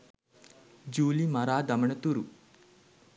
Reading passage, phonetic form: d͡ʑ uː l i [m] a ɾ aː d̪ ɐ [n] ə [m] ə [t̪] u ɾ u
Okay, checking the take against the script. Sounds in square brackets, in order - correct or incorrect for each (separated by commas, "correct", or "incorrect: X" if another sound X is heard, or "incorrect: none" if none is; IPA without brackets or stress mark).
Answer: correct, incorrect: m, incorrect: ɳ, correct